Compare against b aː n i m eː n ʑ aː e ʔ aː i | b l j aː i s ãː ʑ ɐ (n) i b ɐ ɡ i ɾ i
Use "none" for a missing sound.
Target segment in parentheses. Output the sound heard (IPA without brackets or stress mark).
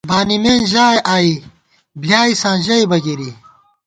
none